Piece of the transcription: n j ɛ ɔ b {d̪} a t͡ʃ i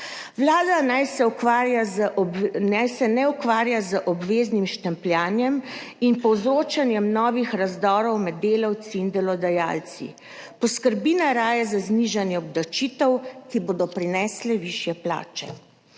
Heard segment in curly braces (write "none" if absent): d̪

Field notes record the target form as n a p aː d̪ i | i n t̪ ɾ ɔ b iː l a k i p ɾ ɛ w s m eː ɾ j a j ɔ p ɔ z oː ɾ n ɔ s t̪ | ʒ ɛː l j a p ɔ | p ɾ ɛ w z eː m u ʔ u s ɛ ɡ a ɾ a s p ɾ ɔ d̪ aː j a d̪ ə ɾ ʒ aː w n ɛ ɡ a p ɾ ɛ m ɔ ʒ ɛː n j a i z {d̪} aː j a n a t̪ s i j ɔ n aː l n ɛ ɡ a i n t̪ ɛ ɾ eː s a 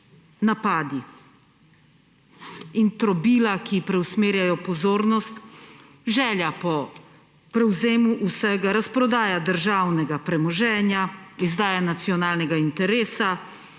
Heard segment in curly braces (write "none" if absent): d̪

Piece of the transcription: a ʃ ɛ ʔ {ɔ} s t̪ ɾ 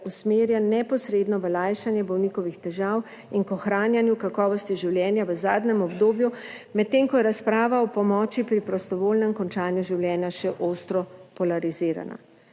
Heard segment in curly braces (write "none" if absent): o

